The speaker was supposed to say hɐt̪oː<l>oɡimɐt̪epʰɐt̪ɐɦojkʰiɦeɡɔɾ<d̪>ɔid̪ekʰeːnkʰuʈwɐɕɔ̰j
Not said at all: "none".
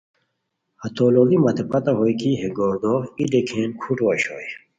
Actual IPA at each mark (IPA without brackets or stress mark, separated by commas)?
l, d̪